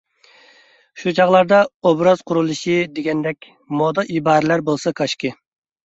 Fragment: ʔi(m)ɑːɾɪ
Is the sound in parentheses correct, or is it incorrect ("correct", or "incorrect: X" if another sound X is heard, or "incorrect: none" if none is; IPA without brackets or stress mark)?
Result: incorrect: b